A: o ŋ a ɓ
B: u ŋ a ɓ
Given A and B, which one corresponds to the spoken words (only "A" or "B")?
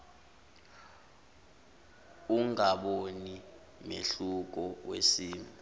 B